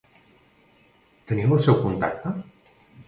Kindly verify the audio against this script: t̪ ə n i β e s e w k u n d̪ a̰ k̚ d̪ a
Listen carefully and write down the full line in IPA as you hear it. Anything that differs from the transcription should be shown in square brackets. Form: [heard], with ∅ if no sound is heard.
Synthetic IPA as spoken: t̪ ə n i [w] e s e w k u n [t̪] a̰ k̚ [t̪] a